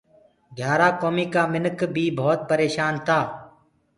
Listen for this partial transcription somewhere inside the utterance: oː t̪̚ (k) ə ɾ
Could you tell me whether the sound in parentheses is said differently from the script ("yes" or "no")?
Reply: yes